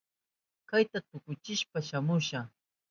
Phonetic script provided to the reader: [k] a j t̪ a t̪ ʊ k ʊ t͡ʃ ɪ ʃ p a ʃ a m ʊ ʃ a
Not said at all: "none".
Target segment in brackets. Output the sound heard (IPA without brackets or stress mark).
k